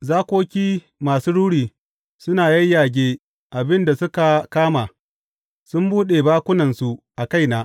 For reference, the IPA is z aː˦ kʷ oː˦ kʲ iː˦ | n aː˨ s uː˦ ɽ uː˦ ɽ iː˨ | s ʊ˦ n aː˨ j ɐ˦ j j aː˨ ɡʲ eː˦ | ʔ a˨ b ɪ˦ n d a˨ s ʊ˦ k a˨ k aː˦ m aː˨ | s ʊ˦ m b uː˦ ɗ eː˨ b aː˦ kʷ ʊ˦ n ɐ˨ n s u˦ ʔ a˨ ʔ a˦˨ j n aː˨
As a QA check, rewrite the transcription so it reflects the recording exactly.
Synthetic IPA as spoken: z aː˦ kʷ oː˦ kʲ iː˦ | m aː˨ s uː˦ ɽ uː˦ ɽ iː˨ | s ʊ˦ n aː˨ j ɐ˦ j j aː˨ ɡʲ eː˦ | ʔ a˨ b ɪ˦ n d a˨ s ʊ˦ k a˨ k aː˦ m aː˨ | s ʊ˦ m b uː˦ ɗ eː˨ b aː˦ kʷ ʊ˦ n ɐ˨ n s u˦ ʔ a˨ k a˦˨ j n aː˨